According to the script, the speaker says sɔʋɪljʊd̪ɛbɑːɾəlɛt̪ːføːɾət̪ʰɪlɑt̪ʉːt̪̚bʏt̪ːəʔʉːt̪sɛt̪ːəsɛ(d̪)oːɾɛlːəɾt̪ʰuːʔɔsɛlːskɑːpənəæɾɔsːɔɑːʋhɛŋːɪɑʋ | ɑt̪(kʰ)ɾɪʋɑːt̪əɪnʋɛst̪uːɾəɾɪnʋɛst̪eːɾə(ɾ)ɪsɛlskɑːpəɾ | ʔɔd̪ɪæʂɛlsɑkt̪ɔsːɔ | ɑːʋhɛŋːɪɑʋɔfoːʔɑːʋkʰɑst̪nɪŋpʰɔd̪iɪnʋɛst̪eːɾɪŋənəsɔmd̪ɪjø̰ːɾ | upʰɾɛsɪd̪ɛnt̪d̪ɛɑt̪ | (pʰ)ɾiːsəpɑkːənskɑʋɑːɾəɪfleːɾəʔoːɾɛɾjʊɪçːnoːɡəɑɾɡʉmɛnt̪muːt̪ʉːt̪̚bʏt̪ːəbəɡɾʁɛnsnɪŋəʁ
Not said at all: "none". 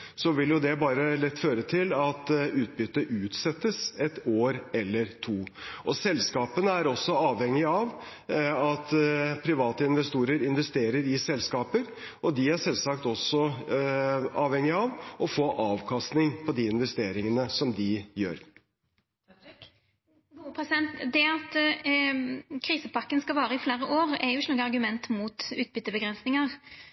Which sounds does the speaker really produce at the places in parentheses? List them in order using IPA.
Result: t̪, pʰ, ɾ, kʰ

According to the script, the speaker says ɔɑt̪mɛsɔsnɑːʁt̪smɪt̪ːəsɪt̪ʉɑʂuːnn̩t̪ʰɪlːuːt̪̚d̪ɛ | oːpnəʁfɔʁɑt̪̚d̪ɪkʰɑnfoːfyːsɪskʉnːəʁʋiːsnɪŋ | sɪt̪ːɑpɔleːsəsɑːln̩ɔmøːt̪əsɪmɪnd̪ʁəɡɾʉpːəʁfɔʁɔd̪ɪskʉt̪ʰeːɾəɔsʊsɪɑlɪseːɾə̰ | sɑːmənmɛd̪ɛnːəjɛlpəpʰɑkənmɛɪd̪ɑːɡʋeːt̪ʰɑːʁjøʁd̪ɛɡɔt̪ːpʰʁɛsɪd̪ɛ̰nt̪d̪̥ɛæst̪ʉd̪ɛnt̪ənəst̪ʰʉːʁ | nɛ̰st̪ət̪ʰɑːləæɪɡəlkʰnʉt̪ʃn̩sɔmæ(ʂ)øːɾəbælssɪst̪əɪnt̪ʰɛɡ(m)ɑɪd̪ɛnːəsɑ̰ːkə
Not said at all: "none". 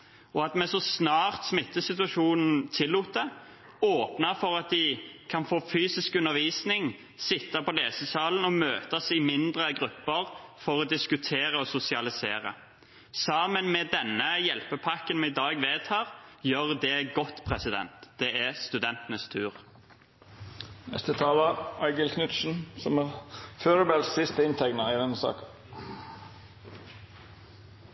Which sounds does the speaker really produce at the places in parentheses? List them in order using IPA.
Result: f, n

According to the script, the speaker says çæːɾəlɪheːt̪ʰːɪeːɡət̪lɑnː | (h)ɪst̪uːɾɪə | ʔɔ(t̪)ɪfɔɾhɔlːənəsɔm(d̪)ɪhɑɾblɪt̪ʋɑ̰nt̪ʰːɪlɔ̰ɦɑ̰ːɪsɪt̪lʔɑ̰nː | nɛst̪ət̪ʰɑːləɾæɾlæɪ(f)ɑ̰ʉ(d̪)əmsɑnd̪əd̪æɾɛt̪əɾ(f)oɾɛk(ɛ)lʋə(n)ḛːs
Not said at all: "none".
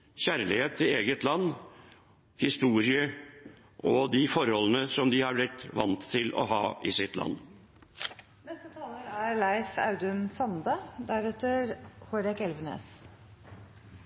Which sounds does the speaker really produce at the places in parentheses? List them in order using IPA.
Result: h, d̪, d̪, f, d̪, h, ɛ, n

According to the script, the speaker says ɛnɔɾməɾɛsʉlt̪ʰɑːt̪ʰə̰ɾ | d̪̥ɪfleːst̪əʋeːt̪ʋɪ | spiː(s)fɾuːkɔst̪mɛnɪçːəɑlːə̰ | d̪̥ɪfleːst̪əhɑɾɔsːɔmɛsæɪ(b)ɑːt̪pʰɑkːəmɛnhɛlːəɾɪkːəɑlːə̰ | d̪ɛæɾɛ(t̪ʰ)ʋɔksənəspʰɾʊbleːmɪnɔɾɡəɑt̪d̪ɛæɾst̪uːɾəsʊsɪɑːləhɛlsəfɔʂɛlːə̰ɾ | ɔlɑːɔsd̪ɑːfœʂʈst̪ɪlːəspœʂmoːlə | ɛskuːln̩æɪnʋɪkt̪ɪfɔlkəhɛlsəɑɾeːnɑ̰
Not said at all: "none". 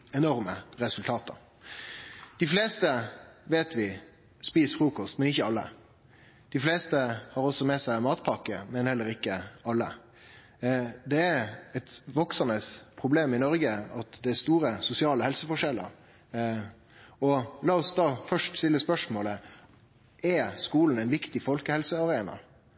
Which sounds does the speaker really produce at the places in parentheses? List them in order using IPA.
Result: s, m, t̪

